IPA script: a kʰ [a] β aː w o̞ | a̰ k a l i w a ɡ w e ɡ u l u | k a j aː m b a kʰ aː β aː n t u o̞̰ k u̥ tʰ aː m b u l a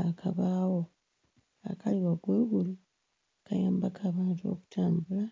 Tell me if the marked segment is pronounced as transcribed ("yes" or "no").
yes